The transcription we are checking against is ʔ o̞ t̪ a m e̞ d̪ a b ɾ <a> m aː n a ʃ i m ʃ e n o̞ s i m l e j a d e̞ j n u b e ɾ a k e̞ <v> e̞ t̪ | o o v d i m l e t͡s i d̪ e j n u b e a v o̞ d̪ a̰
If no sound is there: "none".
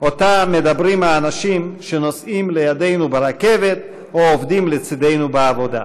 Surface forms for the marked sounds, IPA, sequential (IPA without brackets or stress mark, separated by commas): i, v